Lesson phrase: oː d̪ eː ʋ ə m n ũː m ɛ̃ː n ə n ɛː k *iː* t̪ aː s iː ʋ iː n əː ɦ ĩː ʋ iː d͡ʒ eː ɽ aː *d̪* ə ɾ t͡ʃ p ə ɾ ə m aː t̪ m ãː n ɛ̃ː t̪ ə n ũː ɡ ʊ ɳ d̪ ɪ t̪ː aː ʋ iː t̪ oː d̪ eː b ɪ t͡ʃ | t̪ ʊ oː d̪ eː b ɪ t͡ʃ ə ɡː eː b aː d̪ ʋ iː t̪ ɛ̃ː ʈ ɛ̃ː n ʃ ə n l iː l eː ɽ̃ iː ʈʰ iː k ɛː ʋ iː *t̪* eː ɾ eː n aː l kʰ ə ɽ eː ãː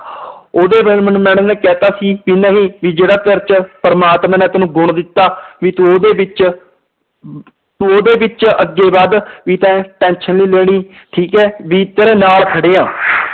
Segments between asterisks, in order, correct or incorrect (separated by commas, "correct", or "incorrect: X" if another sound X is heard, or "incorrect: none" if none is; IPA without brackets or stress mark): incorrect: ɛː, incorrect: t̪, correct